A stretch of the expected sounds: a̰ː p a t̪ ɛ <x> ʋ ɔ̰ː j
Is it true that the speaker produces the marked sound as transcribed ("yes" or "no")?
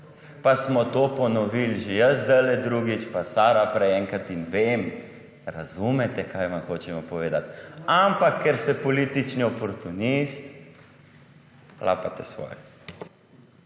no